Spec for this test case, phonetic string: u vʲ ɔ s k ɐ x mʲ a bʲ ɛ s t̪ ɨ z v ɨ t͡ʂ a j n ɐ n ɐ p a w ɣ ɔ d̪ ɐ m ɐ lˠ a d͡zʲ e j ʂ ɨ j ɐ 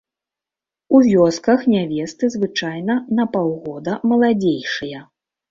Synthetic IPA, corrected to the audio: u vʲ ɔ s k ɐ x nʲ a vʲ ɛ s t̪ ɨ z v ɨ t͡ʂ a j n ɐ n ɐ p a w ɣ ɔ d̪ ɐ m ɐ lˠ a d͡zʲ e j ʂ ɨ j ɐ